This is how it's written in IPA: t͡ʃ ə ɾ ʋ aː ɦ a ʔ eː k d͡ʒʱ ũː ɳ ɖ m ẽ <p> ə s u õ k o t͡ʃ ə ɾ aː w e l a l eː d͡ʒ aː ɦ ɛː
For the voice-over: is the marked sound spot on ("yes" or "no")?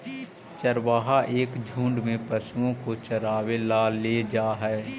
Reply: yes